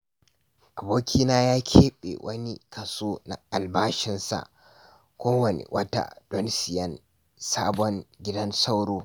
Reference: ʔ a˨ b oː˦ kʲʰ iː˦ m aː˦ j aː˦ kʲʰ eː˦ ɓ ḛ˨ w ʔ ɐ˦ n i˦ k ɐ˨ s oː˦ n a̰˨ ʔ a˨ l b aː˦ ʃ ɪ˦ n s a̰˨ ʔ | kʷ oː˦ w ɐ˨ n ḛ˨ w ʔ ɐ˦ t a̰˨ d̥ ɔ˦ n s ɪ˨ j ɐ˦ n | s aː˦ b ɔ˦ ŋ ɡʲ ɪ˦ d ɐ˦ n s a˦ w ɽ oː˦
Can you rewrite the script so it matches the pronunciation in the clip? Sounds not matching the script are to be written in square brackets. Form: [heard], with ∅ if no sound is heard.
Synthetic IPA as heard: ʔ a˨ b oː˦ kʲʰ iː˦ [n] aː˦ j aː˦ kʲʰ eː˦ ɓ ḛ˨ w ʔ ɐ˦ n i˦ k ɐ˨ s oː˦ n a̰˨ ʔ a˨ l b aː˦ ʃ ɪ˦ n s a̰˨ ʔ | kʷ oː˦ w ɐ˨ n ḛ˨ w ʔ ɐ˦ t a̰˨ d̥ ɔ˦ n s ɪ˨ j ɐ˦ n | s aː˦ b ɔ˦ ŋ ɡʲ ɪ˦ d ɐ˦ n s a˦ w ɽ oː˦